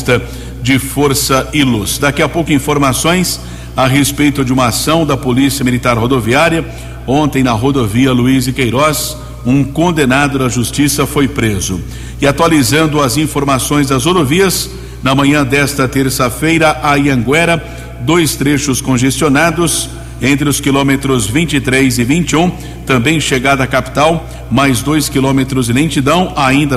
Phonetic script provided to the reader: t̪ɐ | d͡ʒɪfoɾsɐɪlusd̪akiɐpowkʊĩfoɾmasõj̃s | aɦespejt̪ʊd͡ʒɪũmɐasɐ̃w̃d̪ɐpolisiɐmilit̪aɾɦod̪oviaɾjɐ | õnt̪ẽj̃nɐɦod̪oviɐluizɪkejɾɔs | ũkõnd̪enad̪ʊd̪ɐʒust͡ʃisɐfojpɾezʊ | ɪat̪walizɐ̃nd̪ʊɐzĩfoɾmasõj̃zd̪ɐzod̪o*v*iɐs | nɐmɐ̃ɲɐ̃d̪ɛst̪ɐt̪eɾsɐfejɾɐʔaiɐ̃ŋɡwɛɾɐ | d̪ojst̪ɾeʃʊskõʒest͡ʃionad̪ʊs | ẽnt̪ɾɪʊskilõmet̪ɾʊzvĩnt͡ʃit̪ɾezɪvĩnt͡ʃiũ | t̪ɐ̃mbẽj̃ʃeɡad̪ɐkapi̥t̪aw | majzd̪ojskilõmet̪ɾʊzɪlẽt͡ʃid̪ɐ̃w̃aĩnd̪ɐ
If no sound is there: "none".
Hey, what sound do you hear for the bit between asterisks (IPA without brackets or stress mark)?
v